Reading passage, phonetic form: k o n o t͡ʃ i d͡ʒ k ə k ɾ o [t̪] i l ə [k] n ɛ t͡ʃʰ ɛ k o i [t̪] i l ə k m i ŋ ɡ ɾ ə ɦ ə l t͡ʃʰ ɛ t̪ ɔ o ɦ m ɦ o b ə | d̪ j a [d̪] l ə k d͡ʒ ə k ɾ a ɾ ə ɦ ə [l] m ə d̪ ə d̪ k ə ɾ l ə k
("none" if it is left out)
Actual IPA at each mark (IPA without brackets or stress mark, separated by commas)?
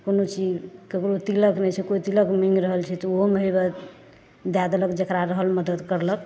t̪, k, t̪, d̪, l